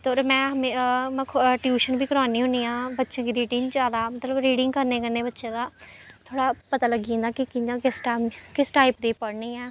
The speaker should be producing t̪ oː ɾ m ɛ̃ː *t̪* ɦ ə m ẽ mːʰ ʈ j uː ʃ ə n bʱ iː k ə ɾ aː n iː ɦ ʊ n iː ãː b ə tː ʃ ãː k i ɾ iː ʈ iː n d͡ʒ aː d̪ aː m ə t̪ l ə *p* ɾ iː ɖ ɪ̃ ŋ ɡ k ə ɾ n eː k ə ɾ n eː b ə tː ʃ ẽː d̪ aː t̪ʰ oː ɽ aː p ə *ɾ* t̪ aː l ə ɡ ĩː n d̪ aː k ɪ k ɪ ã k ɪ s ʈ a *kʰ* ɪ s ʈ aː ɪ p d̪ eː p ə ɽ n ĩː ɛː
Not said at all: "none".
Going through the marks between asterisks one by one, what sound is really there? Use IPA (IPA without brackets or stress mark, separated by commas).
none, b, none, k